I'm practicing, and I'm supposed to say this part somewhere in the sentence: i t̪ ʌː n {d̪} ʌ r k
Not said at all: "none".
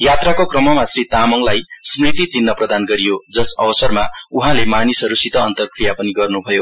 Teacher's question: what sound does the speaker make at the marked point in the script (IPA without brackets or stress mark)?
t̪